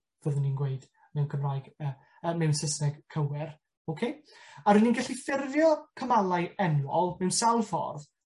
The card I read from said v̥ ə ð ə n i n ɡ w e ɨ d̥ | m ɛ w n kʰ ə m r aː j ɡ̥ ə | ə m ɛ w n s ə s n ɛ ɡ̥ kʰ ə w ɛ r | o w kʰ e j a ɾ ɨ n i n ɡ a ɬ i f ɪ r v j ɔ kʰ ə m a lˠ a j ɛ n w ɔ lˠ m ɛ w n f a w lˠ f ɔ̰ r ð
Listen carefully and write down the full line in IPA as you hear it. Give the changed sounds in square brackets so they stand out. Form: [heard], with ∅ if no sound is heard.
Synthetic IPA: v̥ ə ð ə n i n ɡ w e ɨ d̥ | m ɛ w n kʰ ə m r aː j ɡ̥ ə | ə m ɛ w n s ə s n ɛ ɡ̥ kʰ ə w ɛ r | o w kʰ e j a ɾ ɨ n i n ɡ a ɬ i f ɪ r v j ɔ kʰ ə m a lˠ a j ɛ n w ɔ lˠ m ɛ w n [s] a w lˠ f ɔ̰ r ð